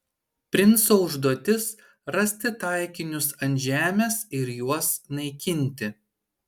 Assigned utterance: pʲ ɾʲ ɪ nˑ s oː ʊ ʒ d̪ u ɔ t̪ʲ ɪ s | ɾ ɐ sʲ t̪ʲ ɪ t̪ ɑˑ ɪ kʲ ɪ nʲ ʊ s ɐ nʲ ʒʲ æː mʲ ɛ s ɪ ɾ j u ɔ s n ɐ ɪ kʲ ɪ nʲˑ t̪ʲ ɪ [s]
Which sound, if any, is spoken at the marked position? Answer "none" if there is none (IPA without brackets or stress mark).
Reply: none